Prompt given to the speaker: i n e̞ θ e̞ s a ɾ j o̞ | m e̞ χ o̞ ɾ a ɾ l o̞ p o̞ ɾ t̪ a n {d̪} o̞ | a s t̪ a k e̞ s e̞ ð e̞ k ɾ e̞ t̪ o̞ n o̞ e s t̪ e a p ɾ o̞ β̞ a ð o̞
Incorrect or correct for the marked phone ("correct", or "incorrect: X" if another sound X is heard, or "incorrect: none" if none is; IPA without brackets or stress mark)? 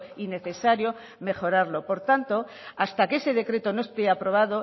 incorrect: t̪